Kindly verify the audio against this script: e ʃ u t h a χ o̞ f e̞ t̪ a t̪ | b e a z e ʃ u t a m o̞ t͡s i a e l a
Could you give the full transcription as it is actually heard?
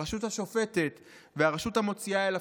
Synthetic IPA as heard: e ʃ u t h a ʃ o̞ f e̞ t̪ e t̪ | v e a ʁ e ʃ u t a m o̞ t͡s i a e l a